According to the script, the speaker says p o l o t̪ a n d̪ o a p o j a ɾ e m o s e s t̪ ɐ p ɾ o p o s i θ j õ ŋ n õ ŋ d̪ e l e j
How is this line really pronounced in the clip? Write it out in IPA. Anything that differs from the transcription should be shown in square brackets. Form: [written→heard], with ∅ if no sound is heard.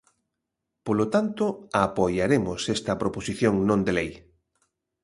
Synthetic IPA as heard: p o l o t̪ a n [d̪→t̪] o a p o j a ɾ e m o s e s t̪ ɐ p ɾ o p o s i θ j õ ŋ n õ [ŋ→n] d̪ e l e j